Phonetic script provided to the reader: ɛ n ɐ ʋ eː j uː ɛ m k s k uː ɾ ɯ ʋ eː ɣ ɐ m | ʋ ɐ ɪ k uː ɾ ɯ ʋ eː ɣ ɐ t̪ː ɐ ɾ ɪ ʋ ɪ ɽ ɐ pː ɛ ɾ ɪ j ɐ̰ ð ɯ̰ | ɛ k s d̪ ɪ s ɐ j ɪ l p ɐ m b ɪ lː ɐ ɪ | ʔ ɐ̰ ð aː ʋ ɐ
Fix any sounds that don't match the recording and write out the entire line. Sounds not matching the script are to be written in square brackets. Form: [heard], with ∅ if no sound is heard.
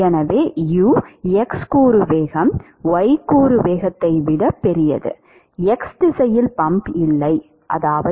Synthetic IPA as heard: ɛ n ɐ ʋ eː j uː ɛ [∅] k s k uː ɾ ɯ ʋ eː ɣ ɐ m | ʋ ɐ ɪ k uː ɾ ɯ ʋ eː ɣ ɐ t̪ː ɐ [∅] ɪ ʋ ɪ ɽ ɐ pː ɛ ɾ ɪ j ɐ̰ ð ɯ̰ | ɛ k s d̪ ɪ s ɐ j ɪ l p ɐ m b ɪ lː ɐ ɪ | ʔ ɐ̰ ð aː ʋ ɐ